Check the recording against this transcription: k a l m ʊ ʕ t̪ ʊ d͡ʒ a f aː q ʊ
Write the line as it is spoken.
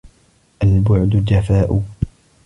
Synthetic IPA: ʔ a l b ʊ ʕ d̪ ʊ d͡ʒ a f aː ʔ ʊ